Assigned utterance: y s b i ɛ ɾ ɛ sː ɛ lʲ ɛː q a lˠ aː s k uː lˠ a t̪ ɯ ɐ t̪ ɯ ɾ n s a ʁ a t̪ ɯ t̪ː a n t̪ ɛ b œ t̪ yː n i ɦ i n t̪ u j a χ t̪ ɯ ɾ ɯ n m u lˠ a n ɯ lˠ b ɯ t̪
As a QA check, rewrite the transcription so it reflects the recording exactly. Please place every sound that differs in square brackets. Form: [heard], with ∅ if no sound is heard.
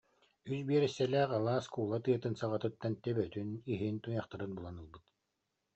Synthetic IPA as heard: y s b i ɛ ɾ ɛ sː ɛ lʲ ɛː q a lˠ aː s k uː lˠ a t̪ ɯ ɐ t̪ ɯ [∅] n s a ʁ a t̪ ɯ t̪ː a n t̪ ɛ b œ t̪ [y] n i ɦ i n t̪ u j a χ t̪ ɯ ɾ ɯ n [b] u lˠ a n ɯ lˠ b ɯ t̪

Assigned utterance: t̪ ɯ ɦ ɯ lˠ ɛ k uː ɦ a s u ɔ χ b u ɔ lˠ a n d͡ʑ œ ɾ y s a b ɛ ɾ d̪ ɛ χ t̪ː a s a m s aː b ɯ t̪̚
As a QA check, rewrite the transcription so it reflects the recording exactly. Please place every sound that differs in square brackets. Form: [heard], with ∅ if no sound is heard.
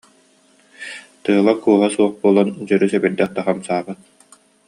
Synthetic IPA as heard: t̪ ɯ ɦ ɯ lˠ [a] k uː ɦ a s u ɔ χ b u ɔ lˠ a n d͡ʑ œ ɾ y s [ɛ] b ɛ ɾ d̪ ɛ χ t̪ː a [χ] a m s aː b ɯ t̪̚

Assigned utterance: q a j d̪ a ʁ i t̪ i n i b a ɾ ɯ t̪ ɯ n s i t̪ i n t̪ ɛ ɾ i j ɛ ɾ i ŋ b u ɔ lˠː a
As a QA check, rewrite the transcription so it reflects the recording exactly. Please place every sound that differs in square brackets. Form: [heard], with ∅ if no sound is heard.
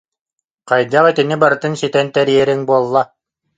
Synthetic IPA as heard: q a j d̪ a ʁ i t̪ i n i b a ɾ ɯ t̪ ɯ n s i t̪ [ɛ] n t̪ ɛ ɾ i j ɛ ɾ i ŋ b u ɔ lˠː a

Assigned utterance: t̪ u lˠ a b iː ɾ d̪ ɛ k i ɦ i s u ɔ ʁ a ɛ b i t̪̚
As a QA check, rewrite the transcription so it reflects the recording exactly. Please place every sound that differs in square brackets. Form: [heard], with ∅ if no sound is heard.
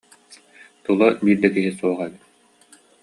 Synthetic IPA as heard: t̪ u lˠ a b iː ɾ d̪ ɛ k i ɦ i s u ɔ ʁ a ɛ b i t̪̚

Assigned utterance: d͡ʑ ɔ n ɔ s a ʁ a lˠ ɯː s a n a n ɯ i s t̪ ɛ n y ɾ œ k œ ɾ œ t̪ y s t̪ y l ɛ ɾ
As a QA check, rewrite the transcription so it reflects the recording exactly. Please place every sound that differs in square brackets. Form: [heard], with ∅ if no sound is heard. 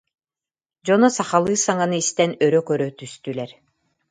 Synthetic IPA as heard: d͡ʑ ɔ n ɔ s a [χ] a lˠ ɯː s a [ŋ] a n ɯ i s t̪ ɛ n [œ] ɾ œ k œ ɾ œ t̪ y s t̪ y l ɛ ɾ

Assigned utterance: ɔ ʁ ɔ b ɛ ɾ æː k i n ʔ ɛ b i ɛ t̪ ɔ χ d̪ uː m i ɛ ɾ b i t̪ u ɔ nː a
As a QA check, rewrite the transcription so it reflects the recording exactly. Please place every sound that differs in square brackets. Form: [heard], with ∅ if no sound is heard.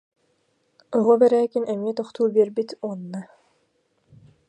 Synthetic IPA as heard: ɔ ʁ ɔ b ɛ ɾ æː k i n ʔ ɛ [m] i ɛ t̪ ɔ χ [t̪] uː [b] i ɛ ɾ b i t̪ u ɔ nː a

